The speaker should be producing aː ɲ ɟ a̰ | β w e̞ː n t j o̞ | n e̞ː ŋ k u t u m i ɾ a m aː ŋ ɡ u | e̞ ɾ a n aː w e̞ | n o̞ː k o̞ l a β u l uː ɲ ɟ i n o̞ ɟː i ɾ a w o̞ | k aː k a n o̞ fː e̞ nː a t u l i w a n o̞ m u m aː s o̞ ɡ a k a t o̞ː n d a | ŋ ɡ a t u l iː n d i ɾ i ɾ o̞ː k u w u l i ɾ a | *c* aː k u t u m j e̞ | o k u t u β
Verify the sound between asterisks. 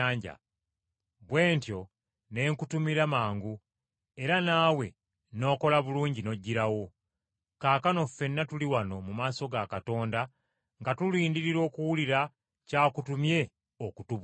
correct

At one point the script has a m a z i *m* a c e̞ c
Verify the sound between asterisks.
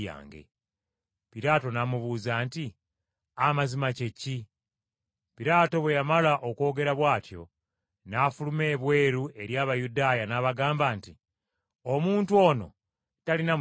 correct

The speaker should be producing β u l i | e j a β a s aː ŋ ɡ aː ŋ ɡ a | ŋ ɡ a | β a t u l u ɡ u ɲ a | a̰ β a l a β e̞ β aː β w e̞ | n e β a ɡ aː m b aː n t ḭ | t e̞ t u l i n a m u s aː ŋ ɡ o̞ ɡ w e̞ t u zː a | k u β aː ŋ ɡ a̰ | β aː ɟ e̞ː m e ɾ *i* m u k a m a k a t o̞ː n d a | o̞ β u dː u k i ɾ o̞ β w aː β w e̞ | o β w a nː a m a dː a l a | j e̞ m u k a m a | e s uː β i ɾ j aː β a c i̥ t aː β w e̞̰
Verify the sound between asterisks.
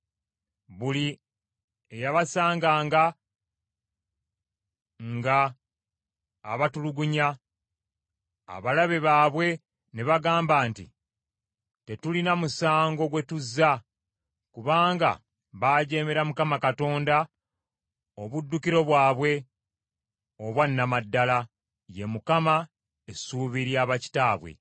incorrect: a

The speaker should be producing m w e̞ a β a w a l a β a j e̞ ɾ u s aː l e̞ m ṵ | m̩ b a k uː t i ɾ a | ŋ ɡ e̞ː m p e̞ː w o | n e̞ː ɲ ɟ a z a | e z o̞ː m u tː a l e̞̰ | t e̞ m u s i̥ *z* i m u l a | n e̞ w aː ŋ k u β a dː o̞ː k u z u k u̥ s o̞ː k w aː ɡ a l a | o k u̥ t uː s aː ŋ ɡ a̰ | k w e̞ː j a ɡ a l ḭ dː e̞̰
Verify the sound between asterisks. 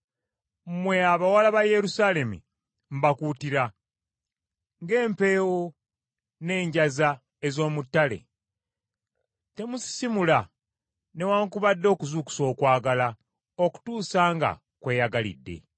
incorrect: s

